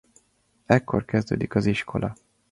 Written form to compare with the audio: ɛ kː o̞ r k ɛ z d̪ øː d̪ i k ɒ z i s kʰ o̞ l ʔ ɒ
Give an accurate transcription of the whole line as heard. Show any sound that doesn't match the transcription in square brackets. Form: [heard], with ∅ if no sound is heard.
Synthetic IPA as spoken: ɛ kː o̞ r k ɛ z d̪ øː d̪ i k ɒ z i [ʃ] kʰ o̞ l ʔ ɒ